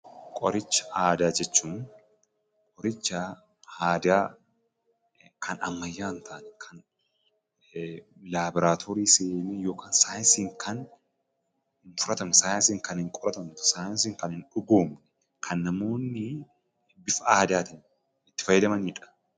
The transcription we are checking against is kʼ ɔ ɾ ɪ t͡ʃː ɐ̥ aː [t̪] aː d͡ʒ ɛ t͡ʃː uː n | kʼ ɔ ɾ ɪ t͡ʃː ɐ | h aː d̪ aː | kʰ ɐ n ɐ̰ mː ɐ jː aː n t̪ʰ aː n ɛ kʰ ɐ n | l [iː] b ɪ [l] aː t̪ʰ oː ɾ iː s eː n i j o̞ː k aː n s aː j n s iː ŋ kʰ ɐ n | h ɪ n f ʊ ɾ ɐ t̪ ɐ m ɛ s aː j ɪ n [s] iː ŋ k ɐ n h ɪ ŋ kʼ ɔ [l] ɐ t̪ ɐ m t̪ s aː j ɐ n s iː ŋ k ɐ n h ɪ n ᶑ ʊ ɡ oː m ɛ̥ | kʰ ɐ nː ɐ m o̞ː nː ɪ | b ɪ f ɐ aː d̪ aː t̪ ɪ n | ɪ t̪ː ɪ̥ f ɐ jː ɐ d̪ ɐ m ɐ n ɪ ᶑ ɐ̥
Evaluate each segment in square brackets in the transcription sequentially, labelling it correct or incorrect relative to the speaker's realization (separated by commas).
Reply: incorrect, incorrect, incorrect, correct, incorrect